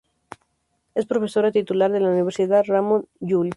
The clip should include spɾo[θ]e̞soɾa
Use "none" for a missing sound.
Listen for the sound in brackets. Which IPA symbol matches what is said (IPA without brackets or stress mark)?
f